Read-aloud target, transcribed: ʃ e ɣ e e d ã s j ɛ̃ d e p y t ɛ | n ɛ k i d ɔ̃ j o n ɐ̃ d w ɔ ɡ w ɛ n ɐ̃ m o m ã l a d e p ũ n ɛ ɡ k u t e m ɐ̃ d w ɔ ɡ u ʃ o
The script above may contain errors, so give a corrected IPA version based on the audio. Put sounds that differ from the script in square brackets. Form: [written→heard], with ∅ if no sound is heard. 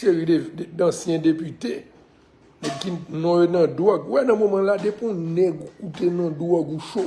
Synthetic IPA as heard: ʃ e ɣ [e→i] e d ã s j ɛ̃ d e p y t [ɛ→e] | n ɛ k i [d→n] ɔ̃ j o n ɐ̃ d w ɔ ɡ w ɛ n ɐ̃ m o m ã l a d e p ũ n ɛ ɡ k u t e [m→n] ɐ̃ d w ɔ ɡ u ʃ o